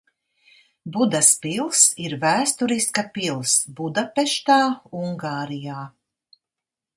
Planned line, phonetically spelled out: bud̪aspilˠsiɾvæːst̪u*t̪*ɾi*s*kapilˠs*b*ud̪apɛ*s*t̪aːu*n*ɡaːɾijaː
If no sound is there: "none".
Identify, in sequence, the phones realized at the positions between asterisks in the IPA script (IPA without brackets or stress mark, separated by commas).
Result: none, s, b, ʃ, ŋ